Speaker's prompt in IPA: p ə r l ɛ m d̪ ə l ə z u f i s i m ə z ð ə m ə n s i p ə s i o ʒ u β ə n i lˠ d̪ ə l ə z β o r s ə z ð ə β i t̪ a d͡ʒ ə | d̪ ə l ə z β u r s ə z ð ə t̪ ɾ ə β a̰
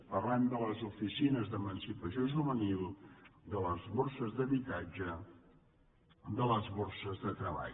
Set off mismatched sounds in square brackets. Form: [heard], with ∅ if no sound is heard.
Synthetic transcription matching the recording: p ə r l ɛ m d̪ ə l ə z u f i s i [n] ə z ð ə m ə n s i p ə s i o ʒ u β ə n i lˠ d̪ ə l ə z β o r s ə z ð ə β i t̪ a d͡ʒ ə | d̪ ə l ə z β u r s ə z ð ə t̪ ɾ ə β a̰